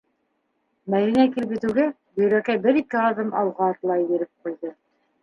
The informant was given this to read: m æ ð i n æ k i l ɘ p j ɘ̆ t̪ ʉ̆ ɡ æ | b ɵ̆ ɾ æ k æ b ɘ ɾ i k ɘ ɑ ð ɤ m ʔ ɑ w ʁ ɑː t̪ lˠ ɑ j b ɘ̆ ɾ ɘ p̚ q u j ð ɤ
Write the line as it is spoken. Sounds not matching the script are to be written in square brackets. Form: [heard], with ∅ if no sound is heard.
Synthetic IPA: m æ ð i n æ k i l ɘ p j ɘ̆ t̪ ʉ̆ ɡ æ | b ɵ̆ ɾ æ k æ b ɘ ɾ i k ɘ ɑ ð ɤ m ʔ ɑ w ʁ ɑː t̪ lˠ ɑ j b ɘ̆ ɾ ɘ p̚ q u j ð ɤ